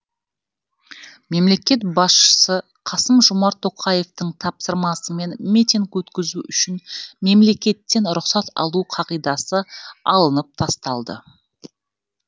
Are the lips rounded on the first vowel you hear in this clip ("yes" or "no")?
no